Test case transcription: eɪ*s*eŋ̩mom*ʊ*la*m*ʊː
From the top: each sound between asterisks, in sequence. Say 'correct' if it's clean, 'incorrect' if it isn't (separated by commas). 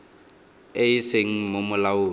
correct, correct, incorrect